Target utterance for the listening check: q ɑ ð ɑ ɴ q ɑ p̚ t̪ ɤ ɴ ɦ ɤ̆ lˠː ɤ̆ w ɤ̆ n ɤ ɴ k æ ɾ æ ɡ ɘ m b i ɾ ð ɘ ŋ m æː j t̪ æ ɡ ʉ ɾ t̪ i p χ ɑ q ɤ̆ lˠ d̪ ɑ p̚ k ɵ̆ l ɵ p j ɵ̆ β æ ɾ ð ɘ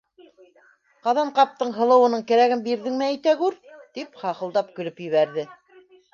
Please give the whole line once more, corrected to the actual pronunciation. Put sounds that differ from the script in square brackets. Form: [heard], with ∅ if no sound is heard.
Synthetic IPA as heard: q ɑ ð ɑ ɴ q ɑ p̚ t̪ ɤ ɴ ɦ ɤ̆ [lˠ] ɤ̆ w ɤ̆ n ɤ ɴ k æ ɾ æ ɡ ɘ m b i ɾ ð ɘ ŋ m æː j t̪ æ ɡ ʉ ɾ t̪ i p χ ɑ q ɤ̆ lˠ d̪ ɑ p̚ k ɵ̆ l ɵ p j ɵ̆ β æ ɾ ð ɘ